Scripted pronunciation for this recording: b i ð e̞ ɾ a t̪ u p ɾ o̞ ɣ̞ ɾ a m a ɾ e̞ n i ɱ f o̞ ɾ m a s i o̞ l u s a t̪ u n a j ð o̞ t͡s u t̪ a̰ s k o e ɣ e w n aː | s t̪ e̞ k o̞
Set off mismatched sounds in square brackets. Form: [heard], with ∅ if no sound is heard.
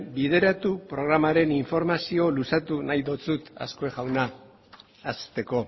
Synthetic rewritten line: b i ð e̞ ɾ a t̪ u p ɾ o̞ ɣ̞ ɾ a m a ɾ e̞ n i ɱ f o̞ ɾ m a s i o̞ l u s a t̪ u n a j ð o̞ t͡s u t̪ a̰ s k o e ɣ [a] w n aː | s t̪ e̞ k o̞